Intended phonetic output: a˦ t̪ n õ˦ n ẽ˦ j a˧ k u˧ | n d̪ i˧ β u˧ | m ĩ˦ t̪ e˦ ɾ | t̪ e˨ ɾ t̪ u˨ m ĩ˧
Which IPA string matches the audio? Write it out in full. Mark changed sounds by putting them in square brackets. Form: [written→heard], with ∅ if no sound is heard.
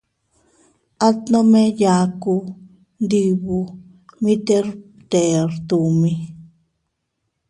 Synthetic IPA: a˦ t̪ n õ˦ [n→m] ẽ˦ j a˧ k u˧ | n d̪ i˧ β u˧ | m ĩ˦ t̪ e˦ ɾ | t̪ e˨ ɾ t̪ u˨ m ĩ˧